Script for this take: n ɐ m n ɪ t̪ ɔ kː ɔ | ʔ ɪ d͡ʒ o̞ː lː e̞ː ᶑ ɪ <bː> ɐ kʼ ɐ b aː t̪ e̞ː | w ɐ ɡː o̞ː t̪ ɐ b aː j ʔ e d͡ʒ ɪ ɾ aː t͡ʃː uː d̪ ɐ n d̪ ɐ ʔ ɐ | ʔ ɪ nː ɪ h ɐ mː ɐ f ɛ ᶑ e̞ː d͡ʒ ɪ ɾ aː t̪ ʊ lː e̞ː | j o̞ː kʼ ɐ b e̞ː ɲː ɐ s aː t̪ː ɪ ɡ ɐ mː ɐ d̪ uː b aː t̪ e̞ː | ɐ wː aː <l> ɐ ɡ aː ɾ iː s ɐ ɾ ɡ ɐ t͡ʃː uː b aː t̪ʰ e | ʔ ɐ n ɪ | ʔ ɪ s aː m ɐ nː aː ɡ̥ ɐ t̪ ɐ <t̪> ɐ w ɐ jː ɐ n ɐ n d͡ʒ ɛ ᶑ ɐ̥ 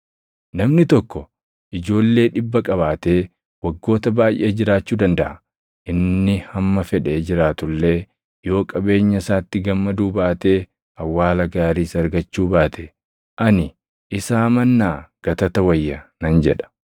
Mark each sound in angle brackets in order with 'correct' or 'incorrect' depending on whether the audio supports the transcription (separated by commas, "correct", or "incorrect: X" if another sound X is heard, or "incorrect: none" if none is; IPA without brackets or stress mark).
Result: correct, correct, correct